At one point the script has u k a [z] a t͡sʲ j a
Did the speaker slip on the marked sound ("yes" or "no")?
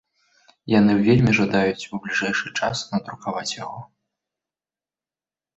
yes